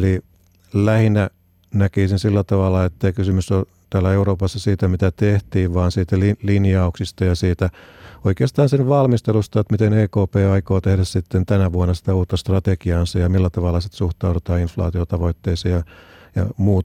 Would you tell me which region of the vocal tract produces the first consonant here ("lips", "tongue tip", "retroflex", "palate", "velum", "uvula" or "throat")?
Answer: tongue tip